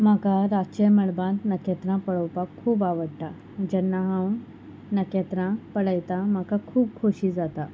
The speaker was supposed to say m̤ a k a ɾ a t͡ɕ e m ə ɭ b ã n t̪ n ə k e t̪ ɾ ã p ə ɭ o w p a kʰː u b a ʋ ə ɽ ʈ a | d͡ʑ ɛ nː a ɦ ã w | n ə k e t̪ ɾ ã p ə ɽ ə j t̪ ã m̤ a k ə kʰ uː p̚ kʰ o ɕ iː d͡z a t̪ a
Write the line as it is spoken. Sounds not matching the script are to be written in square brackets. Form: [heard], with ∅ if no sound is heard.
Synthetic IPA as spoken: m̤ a k a ɾ a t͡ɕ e m ə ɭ b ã n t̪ n ə k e t̪ ɾ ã p ə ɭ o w p a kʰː [uː] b a ʋ ə ɽ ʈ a | d͡ʑ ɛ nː a ɦ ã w | n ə k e t̪ ɾ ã p ə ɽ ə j t̪ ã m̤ a k [a] kʰ uː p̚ kʰ o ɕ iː d͡z a t̪ a